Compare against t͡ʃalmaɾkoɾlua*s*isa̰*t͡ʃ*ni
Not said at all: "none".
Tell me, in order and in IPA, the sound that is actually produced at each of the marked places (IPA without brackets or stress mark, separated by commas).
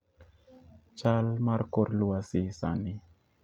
s, none